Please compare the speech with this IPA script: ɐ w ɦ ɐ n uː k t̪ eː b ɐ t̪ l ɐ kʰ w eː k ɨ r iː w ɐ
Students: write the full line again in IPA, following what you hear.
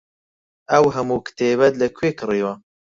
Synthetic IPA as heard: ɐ w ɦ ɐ m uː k t̪ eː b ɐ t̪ l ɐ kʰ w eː k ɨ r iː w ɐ